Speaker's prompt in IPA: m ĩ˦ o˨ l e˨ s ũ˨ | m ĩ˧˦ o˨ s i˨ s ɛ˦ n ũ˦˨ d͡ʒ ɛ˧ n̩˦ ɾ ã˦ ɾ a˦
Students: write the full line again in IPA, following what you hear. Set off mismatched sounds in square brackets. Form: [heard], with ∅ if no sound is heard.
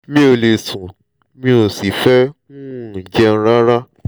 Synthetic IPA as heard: m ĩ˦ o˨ l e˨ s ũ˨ | m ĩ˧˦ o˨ s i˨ [f] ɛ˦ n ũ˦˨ d͡ʒ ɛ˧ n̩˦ ɾ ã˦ ɾ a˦